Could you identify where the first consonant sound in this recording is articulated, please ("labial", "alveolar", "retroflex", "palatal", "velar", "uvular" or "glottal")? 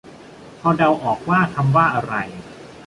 labial